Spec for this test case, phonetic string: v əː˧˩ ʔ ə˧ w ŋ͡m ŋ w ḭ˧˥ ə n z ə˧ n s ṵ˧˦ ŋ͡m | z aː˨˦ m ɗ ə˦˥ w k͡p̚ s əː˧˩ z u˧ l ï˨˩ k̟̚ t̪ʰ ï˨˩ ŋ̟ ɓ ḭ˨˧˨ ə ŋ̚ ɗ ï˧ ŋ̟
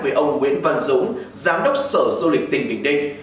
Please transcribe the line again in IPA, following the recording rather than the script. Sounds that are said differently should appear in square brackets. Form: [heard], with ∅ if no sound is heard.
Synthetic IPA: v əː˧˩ ʔ ə˧ w ŋ͡m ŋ w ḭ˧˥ ə n [v] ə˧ n [z] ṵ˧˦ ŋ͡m | z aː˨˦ m ɗ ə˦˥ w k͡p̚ s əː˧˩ z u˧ l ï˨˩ k̟̚ [t̪] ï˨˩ ŋ̟ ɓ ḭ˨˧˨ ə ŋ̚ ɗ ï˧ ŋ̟